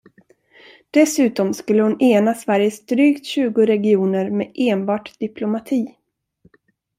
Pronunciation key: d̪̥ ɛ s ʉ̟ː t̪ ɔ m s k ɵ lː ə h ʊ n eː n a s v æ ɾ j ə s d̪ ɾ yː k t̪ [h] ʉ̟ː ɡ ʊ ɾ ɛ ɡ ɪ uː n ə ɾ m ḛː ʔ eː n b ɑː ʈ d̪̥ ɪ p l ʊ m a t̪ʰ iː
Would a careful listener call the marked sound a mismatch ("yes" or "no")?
yes